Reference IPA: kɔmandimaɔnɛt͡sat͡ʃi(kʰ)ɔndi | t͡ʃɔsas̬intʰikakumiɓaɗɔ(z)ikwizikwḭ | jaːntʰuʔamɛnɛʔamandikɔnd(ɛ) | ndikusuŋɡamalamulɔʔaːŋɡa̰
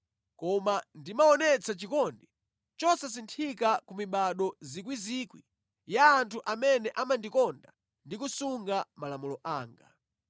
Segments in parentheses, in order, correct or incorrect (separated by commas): incorrect, correct, incorrect